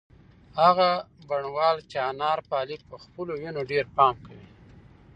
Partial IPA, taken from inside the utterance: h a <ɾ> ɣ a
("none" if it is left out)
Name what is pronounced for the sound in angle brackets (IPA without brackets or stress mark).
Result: none